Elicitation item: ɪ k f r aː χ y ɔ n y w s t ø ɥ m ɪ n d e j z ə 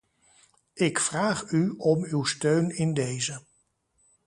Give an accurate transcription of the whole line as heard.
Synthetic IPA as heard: ɪ k f r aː χ y ɔ m y w s t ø ɥ n ɪ n d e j z ə